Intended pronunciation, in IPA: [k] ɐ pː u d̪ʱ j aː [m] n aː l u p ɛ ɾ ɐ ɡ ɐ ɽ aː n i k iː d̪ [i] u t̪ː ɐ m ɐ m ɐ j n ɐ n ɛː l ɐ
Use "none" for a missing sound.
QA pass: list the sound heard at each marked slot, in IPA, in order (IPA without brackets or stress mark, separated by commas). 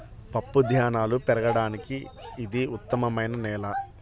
p, none, i